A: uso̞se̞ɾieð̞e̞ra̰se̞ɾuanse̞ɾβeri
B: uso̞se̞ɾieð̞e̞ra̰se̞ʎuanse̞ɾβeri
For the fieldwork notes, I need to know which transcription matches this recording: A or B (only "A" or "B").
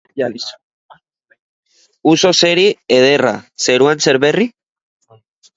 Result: A